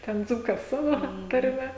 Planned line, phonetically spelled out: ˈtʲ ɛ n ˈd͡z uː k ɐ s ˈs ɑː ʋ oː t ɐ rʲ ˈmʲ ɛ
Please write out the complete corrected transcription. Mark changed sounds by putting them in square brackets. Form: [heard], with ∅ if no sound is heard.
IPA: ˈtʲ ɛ n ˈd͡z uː k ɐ s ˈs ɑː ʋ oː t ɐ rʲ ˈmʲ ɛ